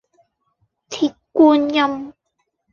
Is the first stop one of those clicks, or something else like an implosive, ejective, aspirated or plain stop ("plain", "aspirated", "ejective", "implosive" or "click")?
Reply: aspirated